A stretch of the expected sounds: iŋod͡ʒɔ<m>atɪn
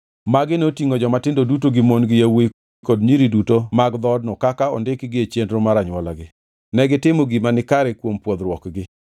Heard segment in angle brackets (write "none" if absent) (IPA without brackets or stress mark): m